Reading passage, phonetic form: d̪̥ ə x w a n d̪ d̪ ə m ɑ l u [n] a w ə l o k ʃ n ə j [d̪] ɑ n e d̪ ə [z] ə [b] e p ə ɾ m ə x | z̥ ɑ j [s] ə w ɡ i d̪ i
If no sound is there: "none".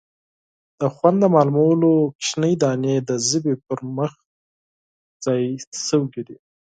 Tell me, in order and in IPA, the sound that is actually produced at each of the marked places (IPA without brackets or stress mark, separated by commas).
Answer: m, d̪, z, b, s